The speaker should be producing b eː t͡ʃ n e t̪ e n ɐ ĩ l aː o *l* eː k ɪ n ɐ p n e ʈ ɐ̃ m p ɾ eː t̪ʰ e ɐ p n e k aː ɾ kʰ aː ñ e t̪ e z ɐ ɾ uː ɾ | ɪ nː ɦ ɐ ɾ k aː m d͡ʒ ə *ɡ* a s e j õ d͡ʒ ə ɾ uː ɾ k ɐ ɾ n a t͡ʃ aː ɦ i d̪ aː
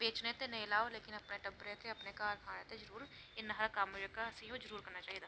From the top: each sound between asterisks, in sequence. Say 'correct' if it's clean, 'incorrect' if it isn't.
correct, incorrect: k

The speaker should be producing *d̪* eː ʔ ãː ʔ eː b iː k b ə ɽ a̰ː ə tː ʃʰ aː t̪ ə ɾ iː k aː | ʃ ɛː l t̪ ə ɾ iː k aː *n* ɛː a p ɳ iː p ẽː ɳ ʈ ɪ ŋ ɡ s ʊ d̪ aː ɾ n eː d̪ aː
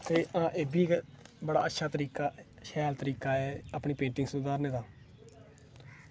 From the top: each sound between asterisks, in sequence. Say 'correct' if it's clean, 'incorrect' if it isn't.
incorrect: t̪, incorrect: none

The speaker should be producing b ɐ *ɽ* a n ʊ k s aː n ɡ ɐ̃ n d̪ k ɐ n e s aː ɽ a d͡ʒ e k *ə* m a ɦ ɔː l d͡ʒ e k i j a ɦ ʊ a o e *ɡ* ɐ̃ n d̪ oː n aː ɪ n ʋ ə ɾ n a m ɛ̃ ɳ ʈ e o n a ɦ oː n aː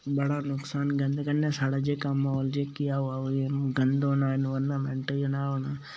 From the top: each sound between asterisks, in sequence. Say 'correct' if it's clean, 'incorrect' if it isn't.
correct, incorrect: a, correct

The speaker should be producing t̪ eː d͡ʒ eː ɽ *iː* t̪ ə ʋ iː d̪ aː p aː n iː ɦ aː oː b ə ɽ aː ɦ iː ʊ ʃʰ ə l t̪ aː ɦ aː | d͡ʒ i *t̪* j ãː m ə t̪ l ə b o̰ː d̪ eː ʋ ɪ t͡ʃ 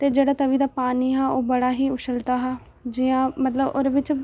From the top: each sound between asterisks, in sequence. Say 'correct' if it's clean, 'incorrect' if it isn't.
incorrect: aː, incorrect: none

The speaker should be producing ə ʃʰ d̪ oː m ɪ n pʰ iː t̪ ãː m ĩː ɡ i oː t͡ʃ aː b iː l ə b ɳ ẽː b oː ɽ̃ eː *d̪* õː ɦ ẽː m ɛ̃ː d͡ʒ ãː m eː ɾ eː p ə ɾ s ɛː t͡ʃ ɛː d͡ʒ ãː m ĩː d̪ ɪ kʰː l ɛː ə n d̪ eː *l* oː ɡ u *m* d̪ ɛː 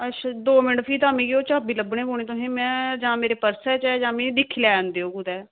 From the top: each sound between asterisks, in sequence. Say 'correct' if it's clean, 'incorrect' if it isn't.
incorrect: t̪, incorrect: none, incorrect: none

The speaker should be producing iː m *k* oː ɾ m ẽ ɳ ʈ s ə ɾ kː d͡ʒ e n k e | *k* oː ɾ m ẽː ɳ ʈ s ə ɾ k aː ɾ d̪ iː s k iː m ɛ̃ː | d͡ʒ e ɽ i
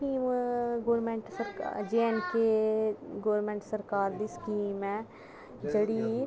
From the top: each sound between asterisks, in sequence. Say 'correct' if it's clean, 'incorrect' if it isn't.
incorrect: ɡ, incorrect: ɡ

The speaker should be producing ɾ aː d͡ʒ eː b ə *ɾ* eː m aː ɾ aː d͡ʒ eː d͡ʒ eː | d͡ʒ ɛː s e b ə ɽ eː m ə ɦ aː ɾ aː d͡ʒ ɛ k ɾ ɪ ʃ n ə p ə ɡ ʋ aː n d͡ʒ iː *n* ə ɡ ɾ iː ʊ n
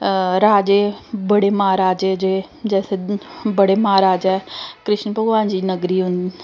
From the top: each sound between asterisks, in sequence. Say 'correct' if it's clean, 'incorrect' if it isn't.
incorrect: ɽ, correct

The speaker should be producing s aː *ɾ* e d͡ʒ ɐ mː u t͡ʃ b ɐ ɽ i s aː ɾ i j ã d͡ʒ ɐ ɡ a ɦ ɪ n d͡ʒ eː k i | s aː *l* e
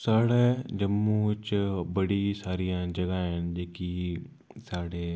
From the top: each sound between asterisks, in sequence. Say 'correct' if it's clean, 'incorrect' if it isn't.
incorrect: ɽ, incorrect: ɽ

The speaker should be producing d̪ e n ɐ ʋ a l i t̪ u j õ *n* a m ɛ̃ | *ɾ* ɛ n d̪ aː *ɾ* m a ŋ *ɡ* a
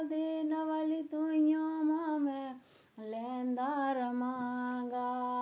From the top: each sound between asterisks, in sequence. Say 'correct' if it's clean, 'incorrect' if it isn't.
incorrect: m, incorrect: l, correct, correct

